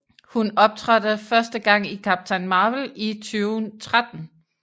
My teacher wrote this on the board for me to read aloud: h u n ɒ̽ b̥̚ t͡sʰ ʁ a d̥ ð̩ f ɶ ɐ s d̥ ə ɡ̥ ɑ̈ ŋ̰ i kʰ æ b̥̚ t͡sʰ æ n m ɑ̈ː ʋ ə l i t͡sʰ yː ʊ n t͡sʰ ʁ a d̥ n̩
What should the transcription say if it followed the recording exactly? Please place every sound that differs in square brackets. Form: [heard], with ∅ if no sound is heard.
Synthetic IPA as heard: h u n ɒ̽ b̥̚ t͡sʰ ʁ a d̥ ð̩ f ɶ ɐ s d̥ ə ɡ̥ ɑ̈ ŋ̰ i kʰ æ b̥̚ t͡sʰ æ n m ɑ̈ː ʋ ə l i t͡sʰ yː ʊ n t͡sʰ ʁ a d̥ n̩